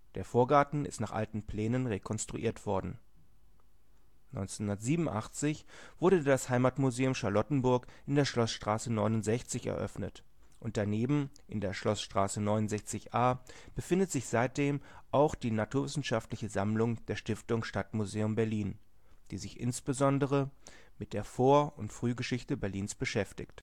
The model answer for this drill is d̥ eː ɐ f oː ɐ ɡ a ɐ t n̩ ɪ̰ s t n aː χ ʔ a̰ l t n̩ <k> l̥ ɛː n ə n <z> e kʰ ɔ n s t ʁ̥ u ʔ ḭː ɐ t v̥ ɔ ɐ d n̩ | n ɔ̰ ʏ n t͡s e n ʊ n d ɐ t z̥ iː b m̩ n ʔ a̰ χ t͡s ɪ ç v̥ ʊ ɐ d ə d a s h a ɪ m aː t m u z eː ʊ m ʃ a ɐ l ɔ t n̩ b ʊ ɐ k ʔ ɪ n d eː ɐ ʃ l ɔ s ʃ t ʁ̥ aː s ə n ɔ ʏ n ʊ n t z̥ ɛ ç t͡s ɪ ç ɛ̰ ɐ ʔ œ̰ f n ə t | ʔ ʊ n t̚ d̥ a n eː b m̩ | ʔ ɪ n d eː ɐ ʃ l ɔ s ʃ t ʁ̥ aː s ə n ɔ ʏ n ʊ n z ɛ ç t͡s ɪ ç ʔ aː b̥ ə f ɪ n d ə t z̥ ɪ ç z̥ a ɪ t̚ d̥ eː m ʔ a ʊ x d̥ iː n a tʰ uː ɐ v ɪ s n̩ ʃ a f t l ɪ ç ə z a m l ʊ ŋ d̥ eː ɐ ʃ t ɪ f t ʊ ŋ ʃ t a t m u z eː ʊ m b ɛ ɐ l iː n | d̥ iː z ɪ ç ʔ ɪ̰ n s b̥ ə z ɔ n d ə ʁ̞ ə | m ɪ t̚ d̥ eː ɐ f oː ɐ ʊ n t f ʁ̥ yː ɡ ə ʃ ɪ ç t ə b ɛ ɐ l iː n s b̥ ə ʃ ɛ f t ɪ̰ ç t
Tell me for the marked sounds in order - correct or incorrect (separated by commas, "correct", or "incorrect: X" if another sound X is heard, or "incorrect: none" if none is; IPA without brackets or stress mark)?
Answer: incorrect: p, incorrect: ʁ